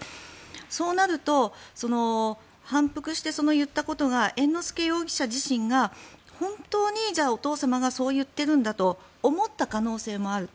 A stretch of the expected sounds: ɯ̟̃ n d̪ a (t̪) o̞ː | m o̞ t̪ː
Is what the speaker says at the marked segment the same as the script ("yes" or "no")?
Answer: yes